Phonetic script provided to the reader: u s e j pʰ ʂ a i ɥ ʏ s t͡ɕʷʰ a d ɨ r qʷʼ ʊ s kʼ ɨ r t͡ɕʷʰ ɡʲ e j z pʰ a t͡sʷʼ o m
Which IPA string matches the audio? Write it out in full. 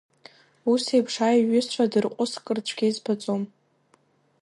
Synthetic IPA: u s e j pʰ ʂ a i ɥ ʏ s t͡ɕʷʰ a d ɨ r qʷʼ ʊ s kʼ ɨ r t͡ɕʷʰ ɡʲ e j z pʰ a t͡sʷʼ o m